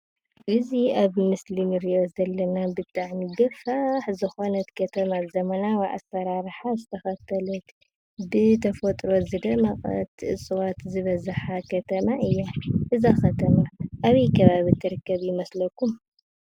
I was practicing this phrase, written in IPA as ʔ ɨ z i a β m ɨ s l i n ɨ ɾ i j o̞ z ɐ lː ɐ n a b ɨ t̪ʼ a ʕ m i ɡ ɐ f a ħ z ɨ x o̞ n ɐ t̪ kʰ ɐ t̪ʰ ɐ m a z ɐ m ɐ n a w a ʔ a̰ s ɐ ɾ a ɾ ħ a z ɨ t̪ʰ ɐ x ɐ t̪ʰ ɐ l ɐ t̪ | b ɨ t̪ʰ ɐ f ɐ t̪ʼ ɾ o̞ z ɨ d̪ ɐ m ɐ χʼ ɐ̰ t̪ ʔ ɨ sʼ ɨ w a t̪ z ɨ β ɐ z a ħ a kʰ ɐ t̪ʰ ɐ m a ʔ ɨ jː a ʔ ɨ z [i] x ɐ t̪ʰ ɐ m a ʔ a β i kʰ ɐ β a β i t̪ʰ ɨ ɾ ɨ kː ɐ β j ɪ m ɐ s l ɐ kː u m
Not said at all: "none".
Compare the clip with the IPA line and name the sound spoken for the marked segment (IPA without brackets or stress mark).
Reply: a